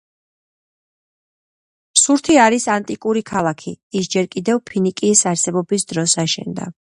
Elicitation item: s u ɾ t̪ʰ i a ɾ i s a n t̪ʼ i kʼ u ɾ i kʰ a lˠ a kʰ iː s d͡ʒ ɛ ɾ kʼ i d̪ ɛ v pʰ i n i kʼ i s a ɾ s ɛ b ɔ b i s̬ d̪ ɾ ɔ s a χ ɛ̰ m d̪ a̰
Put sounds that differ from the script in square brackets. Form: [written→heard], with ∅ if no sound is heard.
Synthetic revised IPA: s u ɾ t̪ʰ i a ɾ i s a n t̪ʼ i kʼ u ɾ i kʰ a lˠ a kʰ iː s d͡ʒ ɛ ɾ kʼ i d̪ ɛ v pʰ i n i kʼ i s a ɾ s ɛ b ɔ b i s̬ d̪ ɾ ɔ s a [χ→ʃ] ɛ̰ [m→n] d̪ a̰